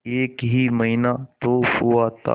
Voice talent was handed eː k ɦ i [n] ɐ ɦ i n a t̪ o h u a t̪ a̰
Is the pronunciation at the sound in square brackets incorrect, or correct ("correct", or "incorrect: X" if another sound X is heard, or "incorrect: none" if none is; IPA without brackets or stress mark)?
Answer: incorrect: m